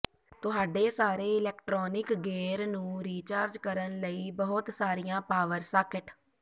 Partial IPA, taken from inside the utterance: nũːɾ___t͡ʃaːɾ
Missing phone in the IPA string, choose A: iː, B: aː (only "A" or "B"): A